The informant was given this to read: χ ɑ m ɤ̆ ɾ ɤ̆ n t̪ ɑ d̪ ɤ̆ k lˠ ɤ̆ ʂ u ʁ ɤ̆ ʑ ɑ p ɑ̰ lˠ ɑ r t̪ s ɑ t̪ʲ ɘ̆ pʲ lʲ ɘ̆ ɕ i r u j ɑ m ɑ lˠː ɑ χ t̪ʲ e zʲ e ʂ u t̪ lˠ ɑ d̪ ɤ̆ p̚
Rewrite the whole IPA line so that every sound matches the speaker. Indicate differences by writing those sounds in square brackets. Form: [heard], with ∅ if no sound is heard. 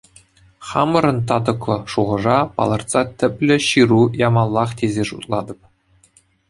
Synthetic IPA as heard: χ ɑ m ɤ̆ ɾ ɤ̆ n t̪ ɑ d̪ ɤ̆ k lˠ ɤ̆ ʂ u ʁ ɤ̆ [ʐ] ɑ p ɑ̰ lˠ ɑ r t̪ s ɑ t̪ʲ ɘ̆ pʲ lʲ ɘ̆ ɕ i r u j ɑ m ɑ lˠː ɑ χ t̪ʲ e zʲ e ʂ u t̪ lˠ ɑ d̪ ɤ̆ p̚

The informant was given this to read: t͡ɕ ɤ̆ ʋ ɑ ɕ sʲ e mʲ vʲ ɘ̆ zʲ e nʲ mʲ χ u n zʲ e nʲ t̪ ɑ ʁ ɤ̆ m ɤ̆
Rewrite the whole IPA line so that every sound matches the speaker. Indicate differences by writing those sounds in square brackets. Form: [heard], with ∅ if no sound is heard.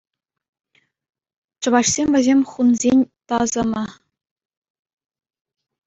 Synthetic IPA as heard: t͡ɕ ɤ̆ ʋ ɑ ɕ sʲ e mʲ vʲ ɘ̆ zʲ e [∅] mʲ χ u n zʲ e nʲ t̪ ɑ [z] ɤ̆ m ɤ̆

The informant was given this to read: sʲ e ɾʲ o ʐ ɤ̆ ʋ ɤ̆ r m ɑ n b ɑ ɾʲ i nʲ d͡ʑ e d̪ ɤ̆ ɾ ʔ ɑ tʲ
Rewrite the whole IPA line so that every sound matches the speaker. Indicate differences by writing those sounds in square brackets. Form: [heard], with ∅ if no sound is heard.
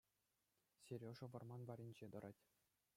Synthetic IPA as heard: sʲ e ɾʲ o ʐ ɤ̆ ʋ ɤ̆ r m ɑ n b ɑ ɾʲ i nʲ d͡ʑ e d̪ ɤ̆ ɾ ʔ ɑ tʲ

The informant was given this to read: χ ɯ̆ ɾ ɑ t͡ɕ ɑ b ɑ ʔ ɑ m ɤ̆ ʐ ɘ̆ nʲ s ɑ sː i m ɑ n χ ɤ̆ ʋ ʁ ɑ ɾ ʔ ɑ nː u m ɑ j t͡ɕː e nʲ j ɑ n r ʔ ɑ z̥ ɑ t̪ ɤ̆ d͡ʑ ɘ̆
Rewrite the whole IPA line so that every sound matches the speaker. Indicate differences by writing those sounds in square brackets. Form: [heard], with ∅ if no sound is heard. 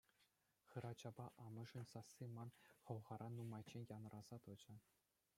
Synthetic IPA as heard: χ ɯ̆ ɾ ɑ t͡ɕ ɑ b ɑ ʔ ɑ m ɤ̆ ʐ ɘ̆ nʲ s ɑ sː i m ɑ n χ ɤ̆ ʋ ʁ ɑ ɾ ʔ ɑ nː u m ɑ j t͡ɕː e nʲ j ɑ n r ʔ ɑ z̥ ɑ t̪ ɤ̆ d͡ʑ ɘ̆

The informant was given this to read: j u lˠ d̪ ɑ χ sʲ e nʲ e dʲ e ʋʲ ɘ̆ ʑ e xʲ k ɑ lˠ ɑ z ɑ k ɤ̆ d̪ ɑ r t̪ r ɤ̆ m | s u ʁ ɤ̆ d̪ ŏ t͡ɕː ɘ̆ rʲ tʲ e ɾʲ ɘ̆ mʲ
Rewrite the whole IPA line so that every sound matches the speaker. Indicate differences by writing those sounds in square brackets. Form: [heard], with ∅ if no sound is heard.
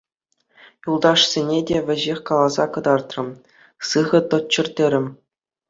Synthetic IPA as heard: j u lˠ d̪ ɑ [ʂ] sʲ e nʲ e dʲ e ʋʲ ɘ̆ ʑ e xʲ k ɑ lˠ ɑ z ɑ k ɤ̆ d̪ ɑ r t̪ r ɤ̆ m | s [ɯ] ʁ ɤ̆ [t̪] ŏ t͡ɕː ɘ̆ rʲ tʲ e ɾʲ ɘ̆ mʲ

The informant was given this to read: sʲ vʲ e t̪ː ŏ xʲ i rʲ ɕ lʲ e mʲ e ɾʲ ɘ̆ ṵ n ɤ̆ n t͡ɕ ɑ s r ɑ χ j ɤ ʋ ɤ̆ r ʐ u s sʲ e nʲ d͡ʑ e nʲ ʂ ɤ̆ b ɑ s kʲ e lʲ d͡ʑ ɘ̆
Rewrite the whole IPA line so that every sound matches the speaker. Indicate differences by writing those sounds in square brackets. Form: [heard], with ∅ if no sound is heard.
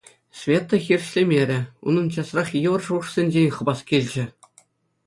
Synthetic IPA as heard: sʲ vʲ e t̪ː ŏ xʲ i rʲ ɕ lʲ e mʲ e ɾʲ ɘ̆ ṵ n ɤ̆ n t͡ɕ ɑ s r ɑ χ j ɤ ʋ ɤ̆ r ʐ u [ʂ] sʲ e nʲ d͡ʑ e nʲ [χ] ɤ̆ b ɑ s kʲ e lʲ d͡ʑ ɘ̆

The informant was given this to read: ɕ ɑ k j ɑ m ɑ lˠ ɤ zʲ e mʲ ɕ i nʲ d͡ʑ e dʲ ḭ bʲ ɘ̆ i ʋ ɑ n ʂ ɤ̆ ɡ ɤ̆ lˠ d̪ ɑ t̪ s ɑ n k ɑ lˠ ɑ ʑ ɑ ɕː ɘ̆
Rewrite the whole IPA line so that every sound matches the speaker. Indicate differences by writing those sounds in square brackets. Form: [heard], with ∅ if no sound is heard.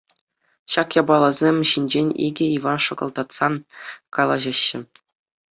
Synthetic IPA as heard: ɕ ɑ k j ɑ [b] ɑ lˠ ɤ zʲ e mʲ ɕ i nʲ d͡ʑ e [nʲ] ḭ [ɡʲ] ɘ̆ i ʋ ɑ n ʂ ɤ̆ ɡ ɤ̆ lˠ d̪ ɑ t̪ s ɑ n k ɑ lˠ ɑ ʑ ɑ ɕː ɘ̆

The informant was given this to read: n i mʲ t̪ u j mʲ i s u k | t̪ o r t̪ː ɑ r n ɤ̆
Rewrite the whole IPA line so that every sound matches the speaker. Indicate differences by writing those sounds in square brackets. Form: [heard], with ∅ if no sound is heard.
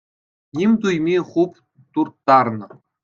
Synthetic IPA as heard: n i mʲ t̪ u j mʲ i [χ] u [p] | t̪ [u] r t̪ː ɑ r n ɤ̆

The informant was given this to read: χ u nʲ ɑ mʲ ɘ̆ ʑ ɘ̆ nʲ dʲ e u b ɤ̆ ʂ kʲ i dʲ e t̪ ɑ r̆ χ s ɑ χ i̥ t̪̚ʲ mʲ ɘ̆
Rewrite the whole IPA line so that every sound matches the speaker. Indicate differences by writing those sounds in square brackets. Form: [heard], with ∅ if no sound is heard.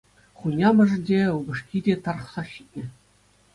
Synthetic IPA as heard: χ u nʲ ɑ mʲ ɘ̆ [ʐ] ɘ̆ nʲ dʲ e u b ɤ̆ ʂ kʲ i dʲ e t̪ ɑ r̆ χ s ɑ [ɕ] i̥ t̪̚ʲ [nʲ] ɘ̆

